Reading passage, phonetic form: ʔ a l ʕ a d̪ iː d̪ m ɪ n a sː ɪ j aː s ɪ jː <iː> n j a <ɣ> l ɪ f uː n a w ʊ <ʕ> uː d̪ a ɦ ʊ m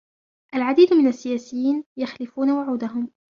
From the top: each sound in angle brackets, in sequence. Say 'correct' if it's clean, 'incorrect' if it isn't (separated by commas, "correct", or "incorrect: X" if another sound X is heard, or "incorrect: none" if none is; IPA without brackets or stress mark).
correct, incorrect: x, correct